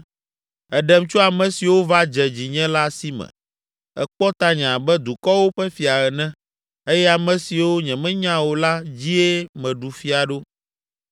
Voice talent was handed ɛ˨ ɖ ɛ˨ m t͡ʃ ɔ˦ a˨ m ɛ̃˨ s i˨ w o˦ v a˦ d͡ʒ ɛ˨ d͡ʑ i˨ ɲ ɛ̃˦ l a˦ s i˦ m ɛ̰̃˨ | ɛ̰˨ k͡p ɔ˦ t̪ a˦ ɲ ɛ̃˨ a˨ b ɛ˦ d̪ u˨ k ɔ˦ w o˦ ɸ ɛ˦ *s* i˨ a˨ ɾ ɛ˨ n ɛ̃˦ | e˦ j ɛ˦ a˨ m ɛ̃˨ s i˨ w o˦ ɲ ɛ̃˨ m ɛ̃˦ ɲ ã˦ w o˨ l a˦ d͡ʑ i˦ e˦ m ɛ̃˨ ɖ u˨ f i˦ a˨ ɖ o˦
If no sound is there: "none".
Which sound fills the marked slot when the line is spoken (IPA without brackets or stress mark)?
f